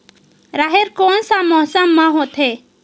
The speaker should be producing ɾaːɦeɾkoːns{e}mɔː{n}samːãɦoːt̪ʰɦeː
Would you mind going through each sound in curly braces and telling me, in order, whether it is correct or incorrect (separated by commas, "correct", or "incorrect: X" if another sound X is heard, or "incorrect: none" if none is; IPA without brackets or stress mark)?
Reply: incorrect: a, incorrect: none